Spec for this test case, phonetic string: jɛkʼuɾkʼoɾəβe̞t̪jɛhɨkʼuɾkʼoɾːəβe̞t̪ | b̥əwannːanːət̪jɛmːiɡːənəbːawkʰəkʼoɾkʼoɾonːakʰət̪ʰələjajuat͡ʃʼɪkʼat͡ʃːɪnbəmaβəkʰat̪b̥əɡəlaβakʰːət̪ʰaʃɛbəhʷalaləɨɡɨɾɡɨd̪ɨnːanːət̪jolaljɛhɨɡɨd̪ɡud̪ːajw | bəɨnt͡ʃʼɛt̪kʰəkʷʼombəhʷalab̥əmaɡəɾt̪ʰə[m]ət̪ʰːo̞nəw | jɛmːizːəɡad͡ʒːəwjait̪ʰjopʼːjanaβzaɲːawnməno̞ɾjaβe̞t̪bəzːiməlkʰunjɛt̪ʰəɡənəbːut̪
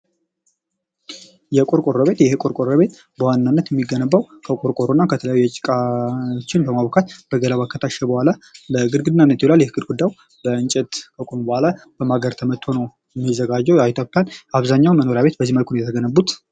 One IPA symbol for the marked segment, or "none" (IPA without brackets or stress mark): m